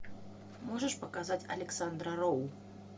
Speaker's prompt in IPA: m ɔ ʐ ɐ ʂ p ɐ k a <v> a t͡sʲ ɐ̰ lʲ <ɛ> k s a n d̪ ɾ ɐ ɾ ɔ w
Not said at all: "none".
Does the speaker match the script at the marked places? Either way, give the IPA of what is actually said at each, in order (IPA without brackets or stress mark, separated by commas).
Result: z, ɛ